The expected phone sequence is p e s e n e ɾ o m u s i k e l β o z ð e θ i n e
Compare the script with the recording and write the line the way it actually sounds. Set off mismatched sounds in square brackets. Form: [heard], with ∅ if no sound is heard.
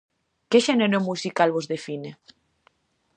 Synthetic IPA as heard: [k] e [ʃ] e n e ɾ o m u s i k [a] l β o z ð e [f] i n e